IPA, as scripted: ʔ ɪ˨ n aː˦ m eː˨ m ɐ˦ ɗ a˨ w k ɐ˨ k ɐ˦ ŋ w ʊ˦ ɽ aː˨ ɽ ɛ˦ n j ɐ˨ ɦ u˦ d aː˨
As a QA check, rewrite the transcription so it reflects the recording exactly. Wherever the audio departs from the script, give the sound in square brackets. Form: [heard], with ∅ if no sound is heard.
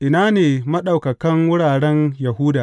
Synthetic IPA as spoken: ʔ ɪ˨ n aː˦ [n] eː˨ m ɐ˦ ɗ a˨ w k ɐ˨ k ɐ˦ ŋ w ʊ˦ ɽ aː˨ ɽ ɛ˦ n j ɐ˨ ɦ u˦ d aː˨

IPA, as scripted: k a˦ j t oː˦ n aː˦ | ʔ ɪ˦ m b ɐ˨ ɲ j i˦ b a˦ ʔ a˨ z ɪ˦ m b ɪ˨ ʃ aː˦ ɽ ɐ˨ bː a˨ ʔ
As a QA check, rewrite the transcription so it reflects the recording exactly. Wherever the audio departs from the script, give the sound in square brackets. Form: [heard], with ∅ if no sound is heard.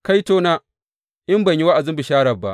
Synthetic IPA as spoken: k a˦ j t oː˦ n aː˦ | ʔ ɪ˦ m b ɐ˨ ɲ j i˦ [w] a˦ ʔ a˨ z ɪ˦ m b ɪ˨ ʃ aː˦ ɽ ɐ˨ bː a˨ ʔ

